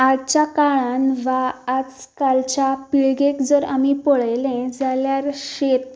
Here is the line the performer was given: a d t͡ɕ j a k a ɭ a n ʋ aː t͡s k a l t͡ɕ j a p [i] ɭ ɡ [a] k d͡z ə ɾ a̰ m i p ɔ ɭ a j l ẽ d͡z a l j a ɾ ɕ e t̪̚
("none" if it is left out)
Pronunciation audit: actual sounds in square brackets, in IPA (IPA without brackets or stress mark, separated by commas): i, e